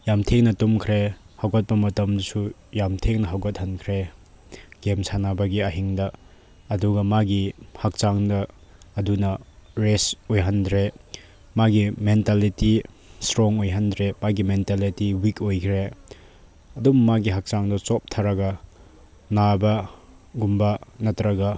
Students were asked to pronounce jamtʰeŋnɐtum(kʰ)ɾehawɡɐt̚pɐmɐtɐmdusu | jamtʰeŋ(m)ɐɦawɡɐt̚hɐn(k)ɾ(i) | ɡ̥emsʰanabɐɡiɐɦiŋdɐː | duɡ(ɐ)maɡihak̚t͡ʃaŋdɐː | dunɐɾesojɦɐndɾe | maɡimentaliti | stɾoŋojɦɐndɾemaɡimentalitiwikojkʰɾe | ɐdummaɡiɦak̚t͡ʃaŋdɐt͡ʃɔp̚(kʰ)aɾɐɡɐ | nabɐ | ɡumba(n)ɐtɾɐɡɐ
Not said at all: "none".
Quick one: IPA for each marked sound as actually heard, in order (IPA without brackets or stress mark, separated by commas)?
kʰ, n, kʰ, e, ɐ, tʰ, n